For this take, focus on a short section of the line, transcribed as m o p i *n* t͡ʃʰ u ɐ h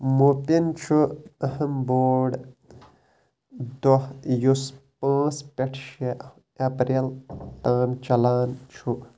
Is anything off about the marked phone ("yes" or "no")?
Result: no